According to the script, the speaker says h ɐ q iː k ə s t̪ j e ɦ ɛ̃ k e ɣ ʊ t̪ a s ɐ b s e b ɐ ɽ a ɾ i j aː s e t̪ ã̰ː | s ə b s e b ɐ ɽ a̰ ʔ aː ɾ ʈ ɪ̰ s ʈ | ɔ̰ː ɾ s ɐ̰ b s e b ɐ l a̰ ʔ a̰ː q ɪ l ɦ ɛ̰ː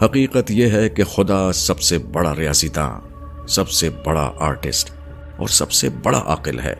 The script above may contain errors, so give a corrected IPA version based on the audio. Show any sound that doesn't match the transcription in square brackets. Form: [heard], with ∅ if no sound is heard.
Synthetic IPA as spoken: h ɐ q iː [q] ə [∅] t̪ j e ɦ [ɛ] k e [x] ʊ [d̪] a s ɐ b s e b ɐ ɽ a ɾ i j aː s [i] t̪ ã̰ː | s [ɐ] b s e b ɐ ɽ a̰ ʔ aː ɾ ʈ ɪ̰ s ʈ | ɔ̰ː ɾ s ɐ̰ b s e b ɐ [ɽ] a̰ ʔ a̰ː q ɪ l ɦ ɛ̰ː